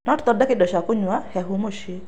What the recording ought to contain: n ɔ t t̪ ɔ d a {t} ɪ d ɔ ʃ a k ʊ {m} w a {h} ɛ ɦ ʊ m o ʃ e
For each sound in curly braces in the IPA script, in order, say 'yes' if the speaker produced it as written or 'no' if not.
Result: no, no, yes

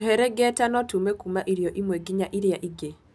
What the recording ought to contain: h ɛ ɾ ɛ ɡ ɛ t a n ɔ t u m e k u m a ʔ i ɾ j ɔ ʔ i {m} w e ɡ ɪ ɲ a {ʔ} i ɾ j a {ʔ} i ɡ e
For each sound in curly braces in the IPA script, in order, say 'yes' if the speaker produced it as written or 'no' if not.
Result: yes, yes, yes

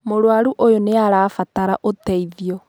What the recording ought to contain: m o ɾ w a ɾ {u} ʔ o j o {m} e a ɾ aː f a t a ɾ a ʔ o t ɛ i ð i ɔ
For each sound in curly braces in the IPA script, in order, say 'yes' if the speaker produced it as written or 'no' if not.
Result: yes, no

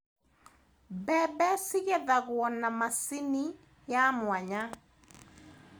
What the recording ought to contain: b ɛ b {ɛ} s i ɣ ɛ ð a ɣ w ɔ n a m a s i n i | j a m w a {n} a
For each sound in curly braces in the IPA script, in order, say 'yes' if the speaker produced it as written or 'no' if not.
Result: yes, no

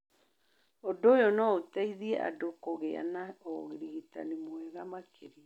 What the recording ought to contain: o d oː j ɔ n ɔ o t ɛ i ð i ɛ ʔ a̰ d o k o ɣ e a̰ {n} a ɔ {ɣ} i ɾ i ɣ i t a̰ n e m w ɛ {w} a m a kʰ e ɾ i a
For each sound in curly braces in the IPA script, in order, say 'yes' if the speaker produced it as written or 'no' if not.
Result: yes, yes, no

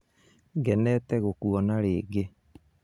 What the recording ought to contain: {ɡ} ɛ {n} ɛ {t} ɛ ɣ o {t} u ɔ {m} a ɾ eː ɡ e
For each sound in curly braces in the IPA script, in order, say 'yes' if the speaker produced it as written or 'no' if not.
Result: yes, yes, yes, no, no

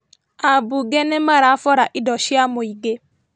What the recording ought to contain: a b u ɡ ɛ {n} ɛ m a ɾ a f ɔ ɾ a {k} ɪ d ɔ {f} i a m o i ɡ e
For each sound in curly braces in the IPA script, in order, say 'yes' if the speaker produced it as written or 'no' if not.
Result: yes, no, no

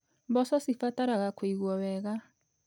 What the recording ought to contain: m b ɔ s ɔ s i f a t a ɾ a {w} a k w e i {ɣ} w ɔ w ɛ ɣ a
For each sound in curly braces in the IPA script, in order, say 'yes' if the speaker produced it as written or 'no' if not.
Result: no, yes

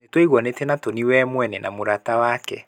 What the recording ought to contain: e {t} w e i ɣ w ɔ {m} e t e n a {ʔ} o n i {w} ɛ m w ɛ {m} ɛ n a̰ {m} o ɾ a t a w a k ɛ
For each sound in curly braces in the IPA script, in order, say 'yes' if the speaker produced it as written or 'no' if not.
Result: yes, no, no, yes, no, yes

